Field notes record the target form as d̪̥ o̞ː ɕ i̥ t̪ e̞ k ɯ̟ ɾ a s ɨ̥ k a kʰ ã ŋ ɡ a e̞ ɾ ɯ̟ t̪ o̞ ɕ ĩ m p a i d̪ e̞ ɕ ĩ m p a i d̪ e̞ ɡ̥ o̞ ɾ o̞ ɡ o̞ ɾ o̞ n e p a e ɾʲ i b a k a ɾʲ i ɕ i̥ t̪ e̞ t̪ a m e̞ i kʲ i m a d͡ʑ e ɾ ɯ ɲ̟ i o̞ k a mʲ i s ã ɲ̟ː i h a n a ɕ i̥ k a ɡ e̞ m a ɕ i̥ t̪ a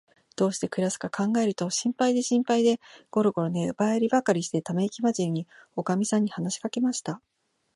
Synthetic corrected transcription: d̪̥ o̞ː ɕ i̥ t̪ e̞ k ɯ̟ ɾ a s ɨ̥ k a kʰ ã ŋ ɡ a e̞ ɾ ɯ̟ t̪ o̞ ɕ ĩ m p a i d̪ e̞ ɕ ĩ m p a i d̪ e̞ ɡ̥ o̞ ɾ o̞ ɡ o̞ ɾ o̞ n e b a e ɾʲ i b a k a ɾʲ i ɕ i̥ t̪ e̞ t̪ a m e̞ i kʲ i m a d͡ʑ i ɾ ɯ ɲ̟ i o̞ k a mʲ i s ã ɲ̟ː i h a n a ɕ i̥ k a k e̞ m a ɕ i̥ t̪ a